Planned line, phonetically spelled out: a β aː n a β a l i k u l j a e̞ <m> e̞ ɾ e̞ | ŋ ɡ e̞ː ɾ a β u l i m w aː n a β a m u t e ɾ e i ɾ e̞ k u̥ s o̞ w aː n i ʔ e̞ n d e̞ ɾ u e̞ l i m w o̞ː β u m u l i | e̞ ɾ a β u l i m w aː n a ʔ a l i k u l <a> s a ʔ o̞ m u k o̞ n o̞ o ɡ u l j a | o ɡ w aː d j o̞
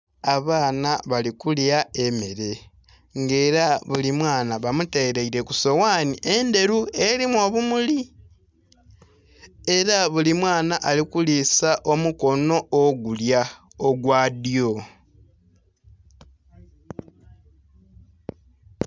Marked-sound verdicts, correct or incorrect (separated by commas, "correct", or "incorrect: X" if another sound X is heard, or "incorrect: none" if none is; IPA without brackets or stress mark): correct, incorrect: i